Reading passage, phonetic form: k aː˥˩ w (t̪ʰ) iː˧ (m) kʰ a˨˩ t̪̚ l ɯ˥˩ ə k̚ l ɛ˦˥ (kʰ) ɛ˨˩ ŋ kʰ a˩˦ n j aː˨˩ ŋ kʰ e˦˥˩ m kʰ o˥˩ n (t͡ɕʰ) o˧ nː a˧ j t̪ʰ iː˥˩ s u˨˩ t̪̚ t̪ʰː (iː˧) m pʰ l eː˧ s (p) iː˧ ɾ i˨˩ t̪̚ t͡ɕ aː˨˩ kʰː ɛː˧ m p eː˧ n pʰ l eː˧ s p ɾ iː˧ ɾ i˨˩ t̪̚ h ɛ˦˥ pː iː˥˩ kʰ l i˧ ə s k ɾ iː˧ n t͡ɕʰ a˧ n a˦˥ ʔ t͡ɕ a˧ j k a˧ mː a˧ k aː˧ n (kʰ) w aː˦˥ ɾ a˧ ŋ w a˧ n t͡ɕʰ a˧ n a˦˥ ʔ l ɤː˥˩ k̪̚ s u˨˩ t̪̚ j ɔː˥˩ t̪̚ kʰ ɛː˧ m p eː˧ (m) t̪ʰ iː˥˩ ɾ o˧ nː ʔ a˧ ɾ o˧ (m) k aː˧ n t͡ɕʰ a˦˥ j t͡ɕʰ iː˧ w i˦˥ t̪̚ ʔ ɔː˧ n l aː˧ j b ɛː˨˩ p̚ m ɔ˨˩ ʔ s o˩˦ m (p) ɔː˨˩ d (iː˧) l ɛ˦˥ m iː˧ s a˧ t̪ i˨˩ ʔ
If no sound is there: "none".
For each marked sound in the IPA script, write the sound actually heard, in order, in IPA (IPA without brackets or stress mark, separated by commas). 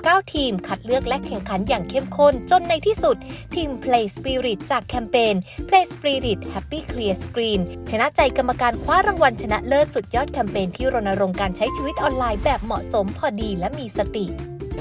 t̪ʰ, m, kʰ, t͡ɕ, iː˧, p, kʰ, n, ŋ, pʰ, iː˧